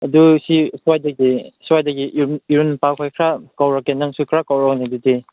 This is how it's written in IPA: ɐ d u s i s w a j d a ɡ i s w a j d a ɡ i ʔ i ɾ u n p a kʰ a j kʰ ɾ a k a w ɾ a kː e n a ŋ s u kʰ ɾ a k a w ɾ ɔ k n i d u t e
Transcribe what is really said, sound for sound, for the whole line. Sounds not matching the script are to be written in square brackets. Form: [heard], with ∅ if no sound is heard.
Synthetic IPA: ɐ d u s i s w a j d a ɡ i s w a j d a ɡ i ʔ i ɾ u n p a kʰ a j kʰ ɾ a k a w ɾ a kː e n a ŋ s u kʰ ɾ a k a w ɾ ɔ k n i d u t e